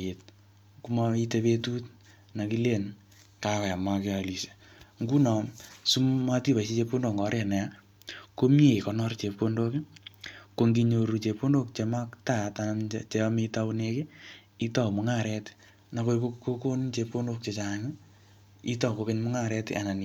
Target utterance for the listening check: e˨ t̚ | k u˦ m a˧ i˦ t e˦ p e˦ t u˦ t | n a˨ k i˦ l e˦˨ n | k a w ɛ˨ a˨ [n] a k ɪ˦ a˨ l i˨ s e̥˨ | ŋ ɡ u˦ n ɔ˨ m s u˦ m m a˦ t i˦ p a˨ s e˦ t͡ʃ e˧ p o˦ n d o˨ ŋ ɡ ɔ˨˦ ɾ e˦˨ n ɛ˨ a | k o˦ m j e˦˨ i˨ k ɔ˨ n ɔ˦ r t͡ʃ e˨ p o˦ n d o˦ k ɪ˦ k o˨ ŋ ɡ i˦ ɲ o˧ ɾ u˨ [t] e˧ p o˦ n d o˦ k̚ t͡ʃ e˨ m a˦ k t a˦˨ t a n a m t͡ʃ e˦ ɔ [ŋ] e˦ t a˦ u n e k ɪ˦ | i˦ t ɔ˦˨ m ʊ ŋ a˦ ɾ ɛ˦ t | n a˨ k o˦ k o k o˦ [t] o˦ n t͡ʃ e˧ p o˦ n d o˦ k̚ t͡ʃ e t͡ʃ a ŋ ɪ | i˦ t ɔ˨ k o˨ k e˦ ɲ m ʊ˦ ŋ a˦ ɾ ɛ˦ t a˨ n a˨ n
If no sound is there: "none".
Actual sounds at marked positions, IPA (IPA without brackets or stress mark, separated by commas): m, t͡ʃ, m, k